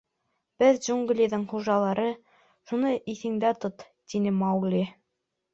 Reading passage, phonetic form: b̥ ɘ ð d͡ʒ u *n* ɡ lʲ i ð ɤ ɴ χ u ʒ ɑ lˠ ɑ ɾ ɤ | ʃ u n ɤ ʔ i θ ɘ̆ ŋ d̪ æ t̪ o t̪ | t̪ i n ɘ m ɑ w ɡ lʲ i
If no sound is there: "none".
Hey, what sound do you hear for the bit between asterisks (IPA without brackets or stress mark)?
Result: ŋ